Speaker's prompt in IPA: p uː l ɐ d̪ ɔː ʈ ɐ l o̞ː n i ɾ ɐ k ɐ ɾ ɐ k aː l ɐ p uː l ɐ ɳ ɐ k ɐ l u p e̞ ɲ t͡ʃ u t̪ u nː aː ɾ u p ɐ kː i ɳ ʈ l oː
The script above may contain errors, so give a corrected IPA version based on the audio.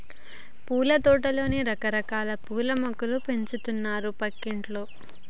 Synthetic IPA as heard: p uː l ɐ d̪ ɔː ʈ ɐ l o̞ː n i ɾ ɐ k ɐ ɾ ɐ k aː l ɐ p uː l ɐ m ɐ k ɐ l u p e̞ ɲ t͡ʃ u t̪ u nː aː ɾ u p ɐ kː i ɳ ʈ l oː